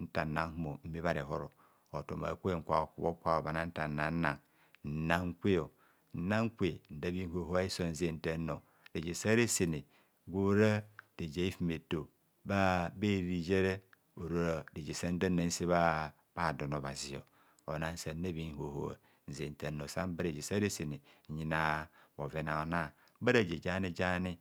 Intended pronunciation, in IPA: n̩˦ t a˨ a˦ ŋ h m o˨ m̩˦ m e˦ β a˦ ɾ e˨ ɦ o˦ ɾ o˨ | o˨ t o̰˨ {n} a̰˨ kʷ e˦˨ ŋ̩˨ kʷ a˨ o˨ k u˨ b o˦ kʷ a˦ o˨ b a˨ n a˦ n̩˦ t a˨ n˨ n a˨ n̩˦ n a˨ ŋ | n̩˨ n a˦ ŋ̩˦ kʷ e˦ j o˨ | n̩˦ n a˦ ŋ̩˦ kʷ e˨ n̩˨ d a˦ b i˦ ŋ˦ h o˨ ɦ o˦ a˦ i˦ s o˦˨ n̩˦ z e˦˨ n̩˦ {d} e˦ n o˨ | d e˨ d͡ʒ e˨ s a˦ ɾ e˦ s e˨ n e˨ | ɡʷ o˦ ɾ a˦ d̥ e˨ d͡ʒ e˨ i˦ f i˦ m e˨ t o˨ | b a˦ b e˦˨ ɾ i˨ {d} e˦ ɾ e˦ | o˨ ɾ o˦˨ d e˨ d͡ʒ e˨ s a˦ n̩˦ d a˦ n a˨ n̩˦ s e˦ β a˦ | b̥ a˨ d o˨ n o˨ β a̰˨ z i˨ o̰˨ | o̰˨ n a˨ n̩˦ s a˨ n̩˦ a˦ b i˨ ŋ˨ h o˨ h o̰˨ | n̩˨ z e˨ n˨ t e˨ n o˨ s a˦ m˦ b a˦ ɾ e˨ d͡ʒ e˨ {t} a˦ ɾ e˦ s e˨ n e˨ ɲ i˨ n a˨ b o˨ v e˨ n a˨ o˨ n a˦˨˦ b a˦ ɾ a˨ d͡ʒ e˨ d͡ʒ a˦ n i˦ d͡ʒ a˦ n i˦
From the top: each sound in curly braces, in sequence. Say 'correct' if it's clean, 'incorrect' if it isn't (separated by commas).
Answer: incorrect, incorrect, incorrect, incorrect